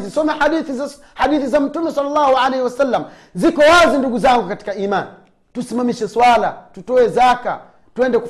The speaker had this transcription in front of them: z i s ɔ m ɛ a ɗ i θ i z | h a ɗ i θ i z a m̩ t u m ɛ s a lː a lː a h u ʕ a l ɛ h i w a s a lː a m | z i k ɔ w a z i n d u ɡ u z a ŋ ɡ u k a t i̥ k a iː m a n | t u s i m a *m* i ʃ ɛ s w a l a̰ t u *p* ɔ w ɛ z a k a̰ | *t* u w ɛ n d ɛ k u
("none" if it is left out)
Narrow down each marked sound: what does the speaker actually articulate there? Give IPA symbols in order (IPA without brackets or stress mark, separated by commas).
m, t, t